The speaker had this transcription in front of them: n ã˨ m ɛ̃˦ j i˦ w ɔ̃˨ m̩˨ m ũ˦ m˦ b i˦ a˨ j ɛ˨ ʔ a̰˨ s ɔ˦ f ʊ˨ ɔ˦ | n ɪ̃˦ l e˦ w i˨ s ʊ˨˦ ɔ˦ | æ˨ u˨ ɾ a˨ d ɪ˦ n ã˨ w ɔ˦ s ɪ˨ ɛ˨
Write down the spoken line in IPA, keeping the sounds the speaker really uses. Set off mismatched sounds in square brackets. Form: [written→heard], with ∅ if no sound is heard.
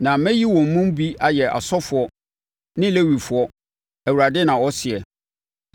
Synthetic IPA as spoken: n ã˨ m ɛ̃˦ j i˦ w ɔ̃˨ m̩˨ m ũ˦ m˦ b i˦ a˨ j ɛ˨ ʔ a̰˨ s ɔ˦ f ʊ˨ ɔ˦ | n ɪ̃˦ l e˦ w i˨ [s→f] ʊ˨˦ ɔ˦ | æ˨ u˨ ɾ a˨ d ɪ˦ n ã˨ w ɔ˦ s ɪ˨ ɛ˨